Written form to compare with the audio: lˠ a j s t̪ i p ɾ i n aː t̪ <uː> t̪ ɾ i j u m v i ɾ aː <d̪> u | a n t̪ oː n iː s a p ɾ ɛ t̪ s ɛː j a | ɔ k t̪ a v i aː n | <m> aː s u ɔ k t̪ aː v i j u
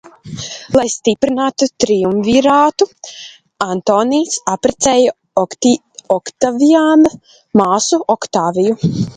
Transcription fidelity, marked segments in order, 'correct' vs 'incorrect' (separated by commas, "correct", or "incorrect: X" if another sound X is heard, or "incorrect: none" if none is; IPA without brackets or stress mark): incorrect: u, incorrect: t̪, correct